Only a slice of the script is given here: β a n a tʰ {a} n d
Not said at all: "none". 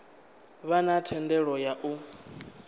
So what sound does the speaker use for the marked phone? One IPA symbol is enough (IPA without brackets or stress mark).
ɛ